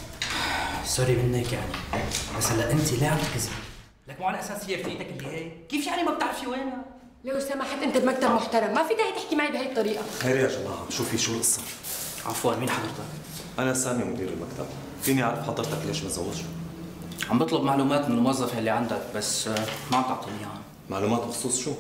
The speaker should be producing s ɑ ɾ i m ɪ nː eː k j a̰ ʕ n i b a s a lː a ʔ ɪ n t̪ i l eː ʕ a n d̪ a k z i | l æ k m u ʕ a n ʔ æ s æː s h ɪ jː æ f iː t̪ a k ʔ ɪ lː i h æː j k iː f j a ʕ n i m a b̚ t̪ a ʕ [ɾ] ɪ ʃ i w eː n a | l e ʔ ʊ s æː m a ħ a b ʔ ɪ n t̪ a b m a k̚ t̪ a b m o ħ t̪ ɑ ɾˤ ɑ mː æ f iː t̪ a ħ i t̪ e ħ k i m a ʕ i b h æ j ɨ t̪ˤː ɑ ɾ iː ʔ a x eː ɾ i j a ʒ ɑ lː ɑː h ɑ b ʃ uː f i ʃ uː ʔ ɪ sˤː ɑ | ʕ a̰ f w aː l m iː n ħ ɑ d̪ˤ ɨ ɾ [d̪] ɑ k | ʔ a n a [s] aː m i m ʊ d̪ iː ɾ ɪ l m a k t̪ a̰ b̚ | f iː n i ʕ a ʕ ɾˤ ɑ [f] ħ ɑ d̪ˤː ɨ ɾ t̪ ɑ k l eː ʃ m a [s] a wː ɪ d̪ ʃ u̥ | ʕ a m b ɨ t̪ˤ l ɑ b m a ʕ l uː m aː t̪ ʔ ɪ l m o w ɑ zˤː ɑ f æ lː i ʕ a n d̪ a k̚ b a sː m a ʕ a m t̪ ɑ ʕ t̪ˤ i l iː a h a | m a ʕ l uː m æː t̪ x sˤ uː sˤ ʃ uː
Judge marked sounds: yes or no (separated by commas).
yes, no, yes, yes, no